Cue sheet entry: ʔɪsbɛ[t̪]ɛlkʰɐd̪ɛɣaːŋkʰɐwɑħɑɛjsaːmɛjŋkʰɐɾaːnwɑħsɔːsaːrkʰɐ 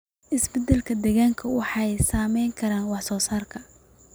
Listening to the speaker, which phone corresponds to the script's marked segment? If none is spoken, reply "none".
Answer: d̪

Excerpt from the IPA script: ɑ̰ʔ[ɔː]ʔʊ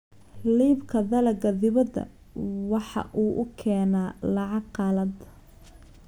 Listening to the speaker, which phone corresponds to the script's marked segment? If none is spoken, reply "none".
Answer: uː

